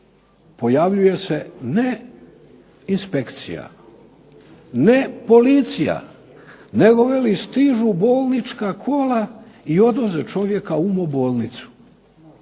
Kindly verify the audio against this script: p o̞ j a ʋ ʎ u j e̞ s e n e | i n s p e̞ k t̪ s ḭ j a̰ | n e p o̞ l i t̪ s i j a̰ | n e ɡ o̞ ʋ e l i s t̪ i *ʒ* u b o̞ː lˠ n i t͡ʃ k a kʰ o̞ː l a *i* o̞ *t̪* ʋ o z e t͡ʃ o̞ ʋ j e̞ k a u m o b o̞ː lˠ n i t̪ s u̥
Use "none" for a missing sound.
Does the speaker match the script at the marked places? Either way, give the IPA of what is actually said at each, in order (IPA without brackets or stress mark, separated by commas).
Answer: ʒ, i, d̪